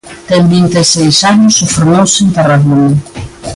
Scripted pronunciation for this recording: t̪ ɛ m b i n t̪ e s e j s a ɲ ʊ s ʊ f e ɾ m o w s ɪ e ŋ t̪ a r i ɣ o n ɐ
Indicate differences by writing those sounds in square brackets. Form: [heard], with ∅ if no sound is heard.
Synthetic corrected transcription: t̪ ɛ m b i n t̪ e s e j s a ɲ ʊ s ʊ f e ɾ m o w s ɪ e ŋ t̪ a r [a] ɣ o n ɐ